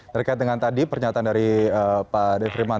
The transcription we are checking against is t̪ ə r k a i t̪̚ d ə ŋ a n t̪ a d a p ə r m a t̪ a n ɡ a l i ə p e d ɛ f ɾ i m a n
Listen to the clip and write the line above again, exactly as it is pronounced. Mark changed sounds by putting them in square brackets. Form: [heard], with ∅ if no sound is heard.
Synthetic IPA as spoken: t̪ ə r k a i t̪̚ d ə ŋ a n t̪ a d [i] p ə r [ɲ] a t̪ a n [d] a [ɾ] i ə p [a] d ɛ f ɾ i m a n